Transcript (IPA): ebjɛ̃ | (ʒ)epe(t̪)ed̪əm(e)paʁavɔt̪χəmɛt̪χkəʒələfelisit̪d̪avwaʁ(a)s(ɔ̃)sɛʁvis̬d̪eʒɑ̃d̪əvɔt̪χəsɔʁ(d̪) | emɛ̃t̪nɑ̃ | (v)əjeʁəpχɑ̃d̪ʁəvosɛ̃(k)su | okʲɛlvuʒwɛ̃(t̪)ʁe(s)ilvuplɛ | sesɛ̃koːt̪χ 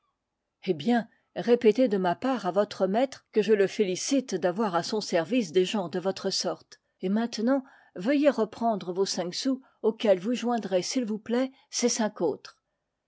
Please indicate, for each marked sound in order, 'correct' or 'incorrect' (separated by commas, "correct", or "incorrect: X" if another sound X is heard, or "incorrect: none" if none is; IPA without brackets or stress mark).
incorrect: ʁ, correct, incorrect: a, correct, correct, incorrect: t̪, correct, correct, incorrect: d̪, correct